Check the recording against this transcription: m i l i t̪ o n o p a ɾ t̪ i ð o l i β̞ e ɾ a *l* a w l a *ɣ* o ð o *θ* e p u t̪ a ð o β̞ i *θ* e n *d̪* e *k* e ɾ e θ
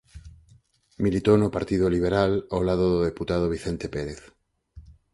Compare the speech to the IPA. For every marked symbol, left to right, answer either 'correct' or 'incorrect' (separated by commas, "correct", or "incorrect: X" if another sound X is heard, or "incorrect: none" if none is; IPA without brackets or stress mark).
correct, incorrect: ð, incorrect: ð, correct, incorrect: t̪, incorrect: p